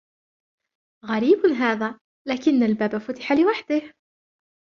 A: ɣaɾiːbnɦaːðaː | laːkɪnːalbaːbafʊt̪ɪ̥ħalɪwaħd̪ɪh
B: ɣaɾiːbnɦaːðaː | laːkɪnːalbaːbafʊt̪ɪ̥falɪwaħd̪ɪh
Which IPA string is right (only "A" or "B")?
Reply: A